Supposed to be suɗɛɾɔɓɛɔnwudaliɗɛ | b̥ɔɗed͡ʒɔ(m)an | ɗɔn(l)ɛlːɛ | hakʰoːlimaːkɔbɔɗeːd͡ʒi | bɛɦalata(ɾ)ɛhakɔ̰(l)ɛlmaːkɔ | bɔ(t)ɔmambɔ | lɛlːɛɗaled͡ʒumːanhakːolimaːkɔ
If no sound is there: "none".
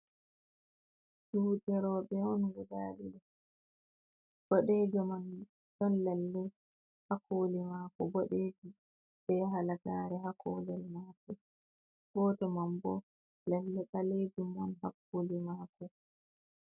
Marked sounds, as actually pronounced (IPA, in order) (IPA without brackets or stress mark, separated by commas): m, l, ɾ, l, t